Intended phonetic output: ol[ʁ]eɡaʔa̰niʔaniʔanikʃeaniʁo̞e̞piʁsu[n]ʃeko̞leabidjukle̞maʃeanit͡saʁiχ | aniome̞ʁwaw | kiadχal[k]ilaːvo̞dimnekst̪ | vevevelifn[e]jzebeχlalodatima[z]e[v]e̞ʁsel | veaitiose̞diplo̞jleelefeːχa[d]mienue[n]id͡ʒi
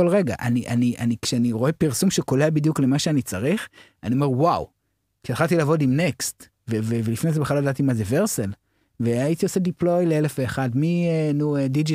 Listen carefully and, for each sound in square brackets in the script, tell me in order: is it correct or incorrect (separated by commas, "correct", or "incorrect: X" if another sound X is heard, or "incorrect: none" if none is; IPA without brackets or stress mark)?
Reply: correct, incorrect: m, incorrect: t, correct, correct, correct, correct, incorrect: d